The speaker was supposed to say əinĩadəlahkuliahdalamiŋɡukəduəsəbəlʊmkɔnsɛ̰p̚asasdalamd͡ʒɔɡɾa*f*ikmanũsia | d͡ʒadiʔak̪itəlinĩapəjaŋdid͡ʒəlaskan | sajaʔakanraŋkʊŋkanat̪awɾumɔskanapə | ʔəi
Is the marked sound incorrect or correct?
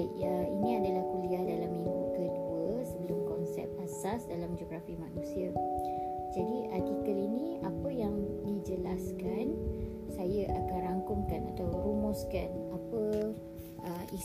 correct